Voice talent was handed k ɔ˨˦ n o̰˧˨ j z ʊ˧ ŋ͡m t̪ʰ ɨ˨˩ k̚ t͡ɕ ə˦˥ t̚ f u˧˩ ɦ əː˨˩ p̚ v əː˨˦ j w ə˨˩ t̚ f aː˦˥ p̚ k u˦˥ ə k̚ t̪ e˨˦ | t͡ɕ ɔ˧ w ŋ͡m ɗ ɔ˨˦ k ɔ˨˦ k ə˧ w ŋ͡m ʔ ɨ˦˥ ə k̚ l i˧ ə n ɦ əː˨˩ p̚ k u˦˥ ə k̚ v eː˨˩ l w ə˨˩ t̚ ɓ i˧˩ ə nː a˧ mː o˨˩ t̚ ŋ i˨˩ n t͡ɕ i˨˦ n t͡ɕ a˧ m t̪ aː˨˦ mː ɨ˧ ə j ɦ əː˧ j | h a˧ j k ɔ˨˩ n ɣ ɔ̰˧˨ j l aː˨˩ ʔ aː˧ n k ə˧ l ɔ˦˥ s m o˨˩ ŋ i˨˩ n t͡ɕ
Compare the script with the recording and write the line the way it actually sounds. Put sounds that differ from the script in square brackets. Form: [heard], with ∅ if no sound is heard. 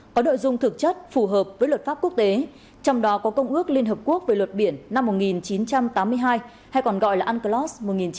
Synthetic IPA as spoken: k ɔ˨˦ n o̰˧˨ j z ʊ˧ ŋ͡m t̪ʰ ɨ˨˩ k̚ t͡ɕ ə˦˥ t̚ f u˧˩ ɦ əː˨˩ p̚ v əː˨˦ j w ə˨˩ t̚ f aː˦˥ p̚ k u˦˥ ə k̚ t̪ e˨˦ | t͡ɕ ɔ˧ w ŋ͡m ɗ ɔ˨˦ k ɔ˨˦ k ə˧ w ŋ͡m ʔ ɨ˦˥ ə k̚ l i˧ ə n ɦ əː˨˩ p̚ k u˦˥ ə k̚ v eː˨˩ l w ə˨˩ t̚ ɓ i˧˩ ə nː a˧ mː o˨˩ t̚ ŋ i˨˩ n t͡ɕ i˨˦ n t͡ɕ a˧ m t̪ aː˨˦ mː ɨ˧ ə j ɦ [aː˧] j | h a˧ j k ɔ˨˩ n ɣ ɔ̰˧˨ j l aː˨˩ ʔ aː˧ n k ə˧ l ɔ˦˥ s m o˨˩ ŋ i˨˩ n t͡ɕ